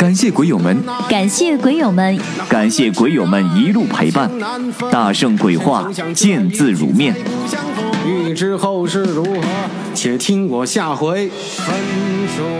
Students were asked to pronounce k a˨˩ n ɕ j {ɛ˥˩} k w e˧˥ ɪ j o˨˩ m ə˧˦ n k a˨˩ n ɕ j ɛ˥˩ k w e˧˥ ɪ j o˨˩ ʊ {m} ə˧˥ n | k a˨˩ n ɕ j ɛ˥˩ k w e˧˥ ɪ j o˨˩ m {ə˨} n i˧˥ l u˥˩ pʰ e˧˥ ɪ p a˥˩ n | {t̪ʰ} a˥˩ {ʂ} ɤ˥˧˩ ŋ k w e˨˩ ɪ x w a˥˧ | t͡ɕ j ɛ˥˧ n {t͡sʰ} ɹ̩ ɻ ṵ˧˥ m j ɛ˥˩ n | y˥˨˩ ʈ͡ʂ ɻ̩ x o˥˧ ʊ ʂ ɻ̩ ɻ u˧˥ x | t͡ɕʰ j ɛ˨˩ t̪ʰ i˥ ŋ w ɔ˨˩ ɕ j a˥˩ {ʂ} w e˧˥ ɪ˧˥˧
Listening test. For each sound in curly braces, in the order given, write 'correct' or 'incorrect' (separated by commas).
correct, correct, incorrect, incorrect, correct, incorrect, incorrect